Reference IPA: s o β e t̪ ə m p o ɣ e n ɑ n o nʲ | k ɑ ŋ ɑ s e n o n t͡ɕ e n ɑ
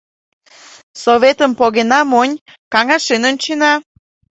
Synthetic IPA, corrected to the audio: s o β e t̪ ə m p o ɣ e n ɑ m o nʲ | k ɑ ŋ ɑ ʃ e n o n t͡ɕ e n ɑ